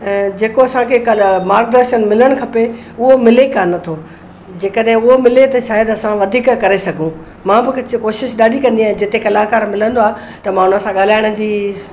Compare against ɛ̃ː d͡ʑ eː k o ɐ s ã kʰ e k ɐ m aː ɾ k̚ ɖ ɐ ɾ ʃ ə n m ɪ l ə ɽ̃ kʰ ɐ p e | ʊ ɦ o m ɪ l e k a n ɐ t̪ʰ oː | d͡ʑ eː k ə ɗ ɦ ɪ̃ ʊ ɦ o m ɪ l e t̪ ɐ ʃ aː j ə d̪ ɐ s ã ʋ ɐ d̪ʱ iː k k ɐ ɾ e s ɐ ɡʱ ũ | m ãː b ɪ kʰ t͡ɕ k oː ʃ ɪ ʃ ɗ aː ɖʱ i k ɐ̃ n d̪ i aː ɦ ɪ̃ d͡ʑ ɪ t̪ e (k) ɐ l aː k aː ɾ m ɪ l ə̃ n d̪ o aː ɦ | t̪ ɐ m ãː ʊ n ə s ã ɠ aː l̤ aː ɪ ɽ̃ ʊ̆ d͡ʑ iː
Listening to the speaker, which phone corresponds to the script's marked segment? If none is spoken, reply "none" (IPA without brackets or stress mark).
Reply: k